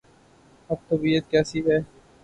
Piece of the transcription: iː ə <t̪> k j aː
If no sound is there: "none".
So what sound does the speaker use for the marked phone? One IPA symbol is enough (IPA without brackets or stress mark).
t̪